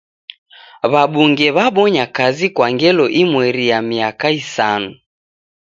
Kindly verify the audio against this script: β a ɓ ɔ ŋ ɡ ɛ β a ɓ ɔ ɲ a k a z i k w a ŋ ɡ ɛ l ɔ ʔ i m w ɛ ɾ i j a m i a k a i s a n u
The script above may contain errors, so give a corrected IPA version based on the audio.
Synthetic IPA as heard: β a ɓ u ŋ ɡ ɛ β a ɓ ɔ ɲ a k a z i k w a ŋ ɡ ɛ l ɔ ʔ i m w ɛ ɾ i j a m i a k a i s a n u